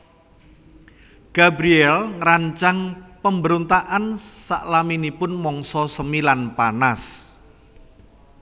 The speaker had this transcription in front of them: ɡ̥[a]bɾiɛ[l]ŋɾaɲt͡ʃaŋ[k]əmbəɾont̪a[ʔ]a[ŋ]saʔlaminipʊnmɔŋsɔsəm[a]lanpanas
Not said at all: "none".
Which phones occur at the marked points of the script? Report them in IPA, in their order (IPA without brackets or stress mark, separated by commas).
a, l, p, ʔ, n, i